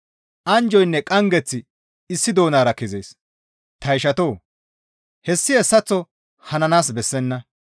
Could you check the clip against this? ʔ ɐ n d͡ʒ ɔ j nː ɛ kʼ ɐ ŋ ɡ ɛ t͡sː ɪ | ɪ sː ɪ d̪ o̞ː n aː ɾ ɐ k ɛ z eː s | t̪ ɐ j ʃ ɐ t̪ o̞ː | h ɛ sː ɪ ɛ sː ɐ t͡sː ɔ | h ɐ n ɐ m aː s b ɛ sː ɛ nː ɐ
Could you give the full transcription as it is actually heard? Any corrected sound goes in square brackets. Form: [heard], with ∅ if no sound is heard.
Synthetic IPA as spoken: ʔ ɐ n d͡ʒ ɔ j nː ɛ kʼ ɐ ŋ ɡ ɛ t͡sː ɪ | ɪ sː ɪ d̪ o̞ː n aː ɾ ɐ k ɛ z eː s | t̪ ɐ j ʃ ɐ t̪ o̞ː | h ɛ sː ɪ ɛ sː ɐ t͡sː ɔ | h ɐ n ɐ [n] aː s b ɛ sː ɛ nː ɐ